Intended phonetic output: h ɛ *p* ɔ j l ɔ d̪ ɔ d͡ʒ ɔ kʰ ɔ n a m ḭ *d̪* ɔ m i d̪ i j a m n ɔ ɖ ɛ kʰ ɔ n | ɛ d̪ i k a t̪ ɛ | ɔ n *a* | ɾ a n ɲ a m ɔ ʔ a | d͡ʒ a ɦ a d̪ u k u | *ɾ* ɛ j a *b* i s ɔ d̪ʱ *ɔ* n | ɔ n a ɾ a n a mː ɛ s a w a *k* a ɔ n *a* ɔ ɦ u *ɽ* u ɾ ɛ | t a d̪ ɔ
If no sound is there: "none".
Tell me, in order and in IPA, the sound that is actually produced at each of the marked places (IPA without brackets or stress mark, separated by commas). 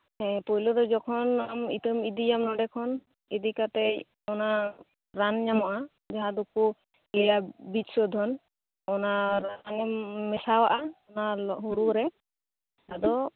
p, t̪, a, l, b, ɔ, ʔ, a, ɾ